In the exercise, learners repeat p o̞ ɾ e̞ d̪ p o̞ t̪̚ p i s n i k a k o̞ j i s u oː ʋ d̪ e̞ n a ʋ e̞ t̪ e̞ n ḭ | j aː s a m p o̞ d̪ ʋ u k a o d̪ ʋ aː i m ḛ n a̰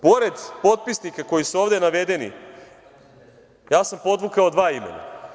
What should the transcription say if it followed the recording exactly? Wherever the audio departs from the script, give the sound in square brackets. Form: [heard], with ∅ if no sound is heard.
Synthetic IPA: p o̞ ɾ e̞ d̪ p o̞ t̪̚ p i s n i k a k o̞ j i s u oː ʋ d̪ e̞ n a ʋ e̞ [d̪] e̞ n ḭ | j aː s a m p o̞ d̪ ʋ u k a o d̪ ʋ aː i m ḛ n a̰